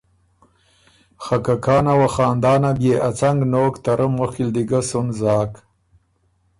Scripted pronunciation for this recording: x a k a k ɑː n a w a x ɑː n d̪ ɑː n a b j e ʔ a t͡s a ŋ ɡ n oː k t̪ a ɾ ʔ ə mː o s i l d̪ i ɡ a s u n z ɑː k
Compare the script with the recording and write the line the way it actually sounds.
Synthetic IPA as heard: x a k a k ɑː n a w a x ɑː n d̪ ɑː n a b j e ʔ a t͡s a ŋ ɡ n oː k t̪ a ɾ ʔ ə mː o x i l d̪ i ɡ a s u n z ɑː k